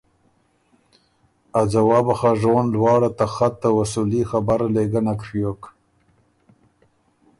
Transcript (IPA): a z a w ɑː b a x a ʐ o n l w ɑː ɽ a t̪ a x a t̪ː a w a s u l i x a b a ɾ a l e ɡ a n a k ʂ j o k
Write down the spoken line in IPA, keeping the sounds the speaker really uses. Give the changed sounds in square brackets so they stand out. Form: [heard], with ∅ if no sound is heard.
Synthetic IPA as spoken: a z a w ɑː b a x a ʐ o n l w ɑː ɽ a t̪ a x a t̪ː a w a s u l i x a b a ɾ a l e ɡ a n a k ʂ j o k